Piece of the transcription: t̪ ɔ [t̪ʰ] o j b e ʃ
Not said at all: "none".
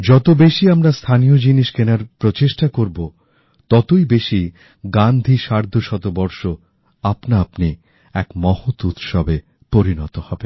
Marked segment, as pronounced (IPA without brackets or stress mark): t̪